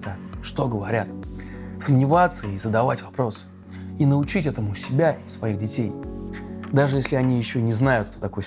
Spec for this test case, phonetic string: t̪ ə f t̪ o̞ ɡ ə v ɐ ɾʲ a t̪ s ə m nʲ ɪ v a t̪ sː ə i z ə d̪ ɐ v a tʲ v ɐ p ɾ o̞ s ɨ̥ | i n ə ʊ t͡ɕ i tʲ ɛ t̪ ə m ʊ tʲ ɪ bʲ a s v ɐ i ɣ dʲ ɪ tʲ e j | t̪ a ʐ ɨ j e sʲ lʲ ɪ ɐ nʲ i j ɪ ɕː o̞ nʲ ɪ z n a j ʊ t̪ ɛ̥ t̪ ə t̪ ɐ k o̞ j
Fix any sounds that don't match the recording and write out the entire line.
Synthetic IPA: t̪ ə ʂ t̪ o̞ ɡ ə v ɐ ɾʲ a t̪ s ə m nʲ ɪ v a t̪ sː ə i z ə d̪ ɐ v a tʲ v ɐ p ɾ o̞ s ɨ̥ | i n ə ʊ t͡ɕ i tʲ ɛ t̪ ə m ʊ sʲ ɪ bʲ a s v ɐ i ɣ dʲ ɪ tʲ e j | d̪ a ʐ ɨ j e sʲ lʲ ɪ ɐ nʲ i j ɪ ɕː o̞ nʲ ɪ z n a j ʊ t̪ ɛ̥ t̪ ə t̪ ɐ k o̞ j